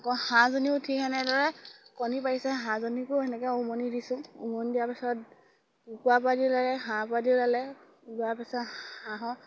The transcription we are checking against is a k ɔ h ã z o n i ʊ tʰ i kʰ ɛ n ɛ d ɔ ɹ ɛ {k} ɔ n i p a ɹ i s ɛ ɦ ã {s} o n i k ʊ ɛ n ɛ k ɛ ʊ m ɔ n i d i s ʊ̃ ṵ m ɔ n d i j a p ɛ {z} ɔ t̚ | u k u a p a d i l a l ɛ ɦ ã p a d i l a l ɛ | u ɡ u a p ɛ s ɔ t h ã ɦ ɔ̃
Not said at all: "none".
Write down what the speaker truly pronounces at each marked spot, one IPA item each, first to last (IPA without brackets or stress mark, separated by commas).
k, z, s